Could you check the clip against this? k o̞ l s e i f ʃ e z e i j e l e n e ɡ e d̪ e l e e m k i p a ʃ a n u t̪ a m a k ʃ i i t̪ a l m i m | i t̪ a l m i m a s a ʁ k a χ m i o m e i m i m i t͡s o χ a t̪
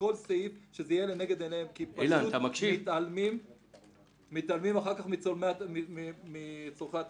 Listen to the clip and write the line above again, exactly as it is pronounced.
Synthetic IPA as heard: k o̞ l s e i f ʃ e z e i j e l e n e ɡ e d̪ e l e e m k i p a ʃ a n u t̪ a m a k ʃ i i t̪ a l m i m | i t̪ a l m i m a χ a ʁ k a χ m i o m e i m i m i t͡s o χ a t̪